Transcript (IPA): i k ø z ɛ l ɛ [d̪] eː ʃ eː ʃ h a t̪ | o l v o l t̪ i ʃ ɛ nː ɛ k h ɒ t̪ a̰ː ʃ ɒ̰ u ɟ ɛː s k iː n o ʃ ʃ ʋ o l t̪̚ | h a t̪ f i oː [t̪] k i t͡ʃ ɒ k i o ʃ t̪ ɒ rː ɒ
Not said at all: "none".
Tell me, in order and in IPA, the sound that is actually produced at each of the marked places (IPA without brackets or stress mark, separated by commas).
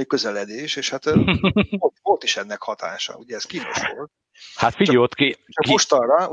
d̪, t̪